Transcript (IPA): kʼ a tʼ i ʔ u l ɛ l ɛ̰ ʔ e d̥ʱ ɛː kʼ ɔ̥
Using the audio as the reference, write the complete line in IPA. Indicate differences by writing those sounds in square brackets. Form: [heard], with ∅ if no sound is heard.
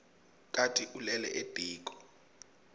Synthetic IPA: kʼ a tʼ i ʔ u l ɛ l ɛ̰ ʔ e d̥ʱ [iː] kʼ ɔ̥